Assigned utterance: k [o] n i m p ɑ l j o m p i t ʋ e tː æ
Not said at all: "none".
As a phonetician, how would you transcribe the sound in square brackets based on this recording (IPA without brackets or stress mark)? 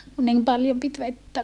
u